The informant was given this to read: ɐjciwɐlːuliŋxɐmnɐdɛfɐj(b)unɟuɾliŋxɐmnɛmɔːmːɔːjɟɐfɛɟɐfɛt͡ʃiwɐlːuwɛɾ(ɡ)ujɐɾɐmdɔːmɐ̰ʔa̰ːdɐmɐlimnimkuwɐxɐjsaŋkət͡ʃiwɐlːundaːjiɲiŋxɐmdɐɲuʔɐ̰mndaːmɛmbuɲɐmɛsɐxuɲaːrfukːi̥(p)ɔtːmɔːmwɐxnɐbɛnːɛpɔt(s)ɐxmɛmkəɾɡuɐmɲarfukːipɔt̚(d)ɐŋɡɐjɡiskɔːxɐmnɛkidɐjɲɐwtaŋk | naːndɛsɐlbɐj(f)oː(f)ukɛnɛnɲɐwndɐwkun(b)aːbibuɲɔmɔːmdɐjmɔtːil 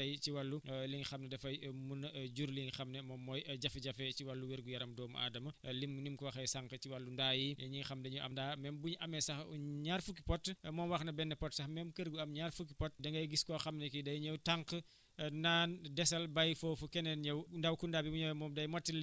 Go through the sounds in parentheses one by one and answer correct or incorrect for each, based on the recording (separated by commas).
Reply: incorrect, correct, correct, correct, correct, correct, correct, incorrect